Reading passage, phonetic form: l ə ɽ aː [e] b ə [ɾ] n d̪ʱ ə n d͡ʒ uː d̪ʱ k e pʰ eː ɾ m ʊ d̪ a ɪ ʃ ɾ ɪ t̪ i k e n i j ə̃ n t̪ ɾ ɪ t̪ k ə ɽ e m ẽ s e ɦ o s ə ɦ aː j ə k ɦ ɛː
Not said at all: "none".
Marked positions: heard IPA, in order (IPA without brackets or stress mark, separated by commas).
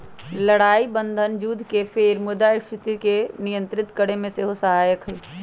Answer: i, none